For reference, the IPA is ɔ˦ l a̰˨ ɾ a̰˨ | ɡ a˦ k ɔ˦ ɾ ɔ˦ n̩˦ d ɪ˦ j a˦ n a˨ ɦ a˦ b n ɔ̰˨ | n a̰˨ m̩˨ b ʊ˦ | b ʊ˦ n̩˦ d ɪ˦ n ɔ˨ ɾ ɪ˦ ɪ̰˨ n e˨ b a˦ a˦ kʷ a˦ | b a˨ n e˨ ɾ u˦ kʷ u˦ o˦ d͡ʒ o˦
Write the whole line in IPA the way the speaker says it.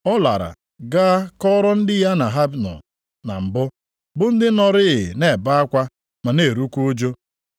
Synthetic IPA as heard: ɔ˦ l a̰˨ ɾ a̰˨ | ɡ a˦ k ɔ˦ ɾ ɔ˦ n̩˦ d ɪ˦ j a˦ n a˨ ɦ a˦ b n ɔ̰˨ | n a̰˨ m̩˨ b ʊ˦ | b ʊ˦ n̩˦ d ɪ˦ n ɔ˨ ɾ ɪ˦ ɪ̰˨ n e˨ b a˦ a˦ kʷ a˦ | m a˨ n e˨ ɾ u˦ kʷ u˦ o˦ d͡ʒ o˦